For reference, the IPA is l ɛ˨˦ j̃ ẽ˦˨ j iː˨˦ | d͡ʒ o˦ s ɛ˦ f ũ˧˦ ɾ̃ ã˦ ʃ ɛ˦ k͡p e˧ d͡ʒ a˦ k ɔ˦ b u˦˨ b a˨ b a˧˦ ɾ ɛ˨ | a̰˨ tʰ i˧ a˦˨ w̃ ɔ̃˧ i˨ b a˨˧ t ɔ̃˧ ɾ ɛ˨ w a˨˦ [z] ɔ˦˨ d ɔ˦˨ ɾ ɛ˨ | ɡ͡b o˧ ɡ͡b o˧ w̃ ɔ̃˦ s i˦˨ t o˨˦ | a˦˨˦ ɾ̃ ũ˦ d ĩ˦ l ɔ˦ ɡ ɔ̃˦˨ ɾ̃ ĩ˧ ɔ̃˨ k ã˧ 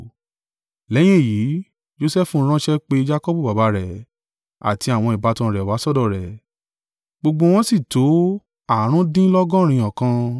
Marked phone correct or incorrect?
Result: incorrect